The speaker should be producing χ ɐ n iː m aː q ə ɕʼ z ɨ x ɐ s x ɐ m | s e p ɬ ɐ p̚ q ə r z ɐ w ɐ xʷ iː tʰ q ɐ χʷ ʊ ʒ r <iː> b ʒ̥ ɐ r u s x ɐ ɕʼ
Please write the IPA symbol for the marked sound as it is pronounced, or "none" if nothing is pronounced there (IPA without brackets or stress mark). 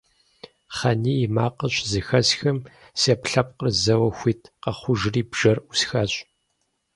iː